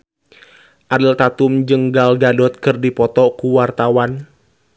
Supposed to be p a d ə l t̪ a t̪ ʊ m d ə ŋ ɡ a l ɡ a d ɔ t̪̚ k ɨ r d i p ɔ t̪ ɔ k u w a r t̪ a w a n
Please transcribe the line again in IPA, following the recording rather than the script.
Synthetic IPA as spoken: ʔ a d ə l t̪ a t̪ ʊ m d͡ʒ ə ŋ ɡ a l ɡ a d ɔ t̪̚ k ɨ r d i p ɔ t̪ ɔ k u w a r t̪ a w a n

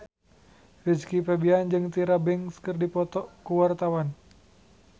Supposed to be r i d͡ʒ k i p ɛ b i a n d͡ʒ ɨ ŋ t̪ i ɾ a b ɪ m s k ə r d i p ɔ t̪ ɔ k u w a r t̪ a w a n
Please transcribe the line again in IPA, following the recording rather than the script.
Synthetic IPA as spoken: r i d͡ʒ k i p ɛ b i a n d͡ʒ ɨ ŋ t̪ i ɾ a b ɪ ŋ s k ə r d i p ɔ t̪ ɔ k u w a r t̪ a w a n

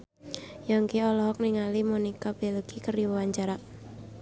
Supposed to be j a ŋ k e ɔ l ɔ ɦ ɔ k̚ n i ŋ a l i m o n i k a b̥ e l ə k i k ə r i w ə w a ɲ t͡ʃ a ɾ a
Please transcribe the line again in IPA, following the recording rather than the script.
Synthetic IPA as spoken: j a ŋ k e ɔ l ɔ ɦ ɔ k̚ n i ŋ a l i m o n i k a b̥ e l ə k i k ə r i w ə w a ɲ t͡ʃ a ɾ a

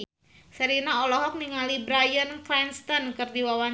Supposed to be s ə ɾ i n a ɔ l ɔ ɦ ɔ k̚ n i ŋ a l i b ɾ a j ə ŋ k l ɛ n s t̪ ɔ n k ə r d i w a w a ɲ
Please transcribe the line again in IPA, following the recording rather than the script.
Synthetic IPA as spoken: s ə ɾ i n a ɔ l ɔ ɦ ɔ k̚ n i ŋ a l i b ɾ a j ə n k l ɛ n s t̪ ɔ n k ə r d i w a w a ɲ

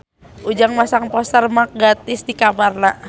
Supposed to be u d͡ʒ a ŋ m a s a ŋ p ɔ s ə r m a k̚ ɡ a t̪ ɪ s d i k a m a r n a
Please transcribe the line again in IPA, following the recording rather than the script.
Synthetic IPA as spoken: u d͡ʒ a ŋ m a s a ŋ p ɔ s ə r m a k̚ ɡ a t̪ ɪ s d i k a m a r n a

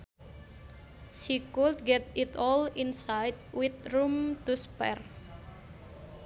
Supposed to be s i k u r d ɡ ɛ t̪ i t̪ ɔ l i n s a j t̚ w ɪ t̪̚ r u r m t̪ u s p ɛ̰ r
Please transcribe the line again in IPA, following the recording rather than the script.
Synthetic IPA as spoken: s i k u l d ɡ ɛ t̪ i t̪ ɔ l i n s a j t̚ w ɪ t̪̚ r u m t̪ u s p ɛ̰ r

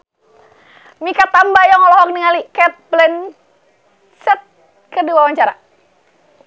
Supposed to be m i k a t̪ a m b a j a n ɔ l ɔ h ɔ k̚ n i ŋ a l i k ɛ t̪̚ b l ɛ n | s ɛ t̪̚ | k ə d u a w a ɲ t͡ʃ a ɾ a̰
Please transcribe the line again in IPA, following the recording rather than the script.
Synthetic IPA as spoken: m i k a t̪ a m b a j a ŋ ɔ l ɔ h ɔ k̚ n i ŋ a l i k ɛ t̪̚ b l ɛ n | s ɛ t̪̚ | k ə d u a w a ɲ t͡ʃ a ɾ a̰

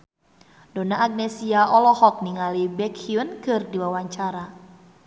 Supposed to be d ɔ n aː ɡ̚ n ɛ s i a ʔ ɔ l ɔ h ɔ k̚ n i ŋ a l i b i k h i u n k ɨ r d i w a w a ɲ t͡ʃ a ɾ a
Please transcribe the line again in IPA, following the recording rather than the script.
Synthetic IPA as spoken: d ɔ n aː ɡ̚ n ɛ s i a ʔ ɔ l ɔ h ɔ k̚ n i ŋ a l i b ɛ k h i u n k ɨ r d i w a w a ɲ t͡ʃ a ɾ a

